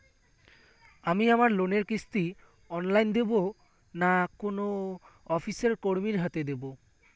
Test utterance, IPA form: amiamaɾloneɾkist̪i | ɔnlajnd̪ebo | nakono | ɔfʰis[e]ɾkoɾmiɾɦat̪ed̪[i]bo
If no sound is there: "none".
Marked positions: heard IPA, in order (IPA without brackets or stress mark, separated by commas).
e, e